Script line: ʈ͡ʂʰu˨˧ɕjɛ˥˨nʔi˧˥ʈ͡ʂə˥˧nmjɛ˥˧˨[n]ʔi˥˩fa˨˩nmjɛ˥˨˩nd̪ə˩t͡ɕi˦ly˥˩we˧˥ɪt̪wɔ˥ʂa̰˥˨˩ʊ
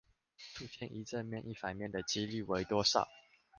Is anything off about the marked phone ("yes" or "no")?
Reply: no